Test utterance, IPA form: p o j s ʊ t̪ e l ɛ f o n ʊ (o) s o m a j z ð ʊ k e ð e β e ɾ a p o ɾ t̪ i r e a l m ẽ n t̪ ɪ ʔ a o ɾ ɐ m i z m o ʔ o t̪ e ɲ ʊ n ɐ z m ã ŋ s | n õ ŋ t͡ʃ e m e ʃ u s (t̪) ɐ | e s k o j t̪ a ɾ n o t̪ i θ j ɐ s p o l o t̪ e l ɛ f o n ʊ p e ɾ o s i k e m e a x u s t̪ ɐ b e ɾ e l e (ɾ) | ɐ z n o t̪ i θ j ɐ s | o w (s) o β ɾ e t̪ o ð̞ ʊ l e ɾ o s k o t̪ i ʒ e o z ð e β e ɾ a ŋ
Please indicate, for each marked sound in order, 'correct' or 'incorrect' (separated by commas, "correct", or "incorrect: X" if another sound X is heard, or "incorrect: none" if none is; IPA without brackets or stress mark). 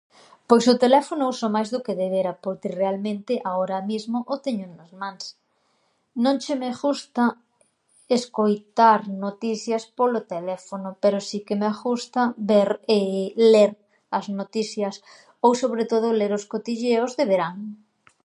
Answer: incorrect: u, correct, correct, correct